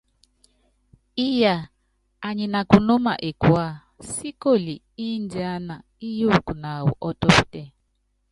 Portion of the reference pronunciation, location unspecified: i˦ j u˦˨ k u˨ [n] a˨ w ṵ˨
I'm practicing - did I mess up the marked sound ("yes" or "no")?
no